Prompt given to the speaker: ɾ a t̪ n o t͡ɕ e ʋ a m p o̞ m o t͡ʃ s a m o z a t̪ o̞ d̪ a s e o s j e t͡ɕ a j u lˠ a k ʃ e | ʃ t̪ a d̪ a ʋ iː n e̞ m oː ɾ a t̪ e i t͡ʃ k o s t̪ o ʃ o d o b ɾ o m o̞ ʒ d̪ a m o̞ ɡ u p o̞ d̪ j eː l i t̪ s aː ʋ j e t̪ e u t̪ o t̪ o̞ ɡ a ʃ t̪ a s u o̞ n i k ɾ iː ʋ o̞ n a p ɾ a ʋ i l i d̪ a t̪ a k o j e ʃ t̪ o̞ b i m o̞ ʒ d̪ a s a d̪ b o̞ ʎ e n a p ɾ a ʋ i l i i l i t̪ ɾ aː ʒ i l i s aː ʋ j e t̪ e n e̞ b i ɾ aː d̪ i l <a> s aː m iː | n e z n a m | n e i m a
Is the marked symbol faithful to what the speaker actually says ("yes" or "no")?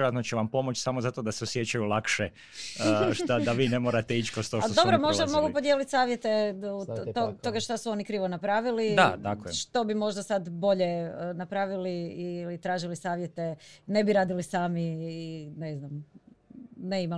no